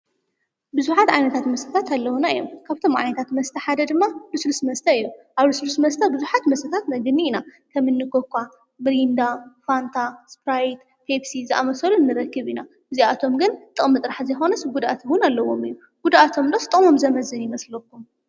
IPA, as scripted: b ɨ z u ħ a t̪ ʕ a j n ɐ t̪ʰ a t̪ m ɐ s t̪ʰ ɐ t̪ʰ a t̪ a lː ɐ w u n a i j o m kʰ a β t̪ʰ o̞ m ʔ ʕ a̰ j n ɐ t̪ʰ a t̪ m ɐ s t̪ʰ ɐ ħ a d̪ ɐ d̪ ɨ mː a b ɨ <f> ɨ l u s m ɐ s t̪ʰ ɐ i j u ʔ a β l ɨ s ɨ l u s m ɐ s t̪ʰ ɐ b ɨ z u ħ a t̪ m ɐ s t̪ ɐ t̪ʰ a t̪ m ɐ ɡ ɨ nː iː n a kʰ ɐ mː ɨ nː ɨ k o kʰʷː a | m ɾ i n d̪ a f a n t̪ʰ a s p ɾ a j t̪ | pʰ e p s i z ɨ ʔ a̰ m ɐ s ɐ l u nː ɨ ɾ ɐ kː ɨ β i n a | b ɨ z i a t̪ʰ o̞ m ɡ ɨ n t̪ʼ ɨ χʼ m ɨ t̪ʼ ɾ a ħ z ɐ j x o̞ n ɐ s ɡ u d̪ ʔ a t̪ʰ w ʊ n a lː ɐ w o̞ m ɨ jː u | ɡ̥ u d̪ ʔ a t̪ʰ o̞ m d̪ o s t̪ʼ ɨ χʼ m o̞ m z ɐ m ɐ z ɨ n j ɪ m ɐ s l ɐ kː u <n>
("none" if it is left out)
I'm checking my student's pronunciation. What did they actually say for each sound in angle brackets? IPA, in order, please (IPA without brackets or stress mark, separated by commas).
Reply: s, m